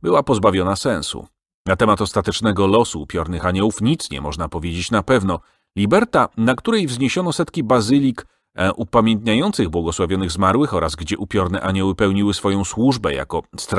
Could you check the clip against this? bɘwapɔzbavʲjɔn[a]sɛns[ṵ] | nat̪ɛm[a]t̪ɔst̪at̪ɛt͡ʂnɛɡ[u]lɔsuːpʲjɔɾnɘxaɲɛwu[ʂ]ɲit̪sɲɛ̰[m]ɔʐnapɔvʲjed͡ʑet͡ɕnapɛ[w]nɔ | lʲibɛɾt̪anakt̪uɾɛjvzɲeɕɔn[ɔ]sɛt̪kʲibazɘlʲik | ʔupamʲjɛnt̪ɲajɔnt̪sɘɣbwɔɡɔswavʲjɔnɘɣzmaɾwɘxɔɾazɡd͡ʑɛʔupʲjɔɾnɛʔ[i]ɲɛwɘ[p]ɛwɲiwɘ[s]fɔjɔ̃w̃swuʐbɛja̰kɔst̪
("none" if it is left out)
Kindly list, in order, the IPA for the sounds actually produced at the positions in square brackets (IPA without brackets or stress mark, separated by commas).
a, ṵ, a, ɔ, f, m, v, ɔ, a, p, s